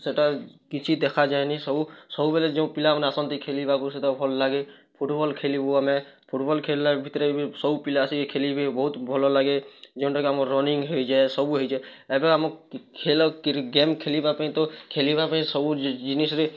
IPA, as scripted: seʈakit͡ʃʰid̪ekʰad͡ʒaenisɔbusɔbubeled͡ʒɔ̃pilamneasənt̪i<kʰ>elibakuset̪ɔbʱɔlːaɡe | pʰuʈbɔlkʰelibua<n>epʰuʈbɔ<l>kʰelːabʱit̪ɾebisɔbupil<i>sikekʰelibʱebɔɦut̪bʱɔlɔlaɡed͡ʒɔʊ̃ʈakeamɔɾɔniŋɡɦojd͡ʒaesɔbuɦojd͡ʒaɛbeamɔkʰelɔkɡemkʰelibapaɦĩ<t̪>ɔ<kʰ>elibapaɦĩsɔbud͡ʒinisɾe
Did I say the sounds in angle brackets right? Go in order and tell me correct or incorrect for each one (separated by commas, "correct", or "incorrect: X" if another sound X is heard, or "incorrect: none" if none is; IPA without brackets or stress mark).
correct, incorrect: m, correct, incorrect: a, correct, correct